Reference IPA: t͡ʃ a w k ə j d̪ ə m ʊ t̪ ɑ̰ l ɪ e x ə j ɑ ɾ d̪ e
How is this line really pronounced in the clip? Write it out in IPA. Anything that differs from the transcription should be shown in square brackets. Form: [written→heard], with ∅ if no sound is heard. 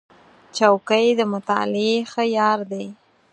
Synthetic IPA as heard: t͡ʃ a w k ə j d̪ ə m ʊ t̪ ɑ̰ l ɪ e x ə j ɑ ɾ d̪ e